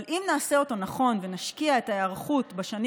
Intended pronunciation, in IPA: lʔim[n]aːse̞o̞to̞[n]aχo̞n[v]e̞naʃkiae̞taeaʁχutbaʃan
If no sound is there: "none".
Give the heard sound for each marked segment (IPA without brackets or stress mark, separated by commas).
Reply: n, n, v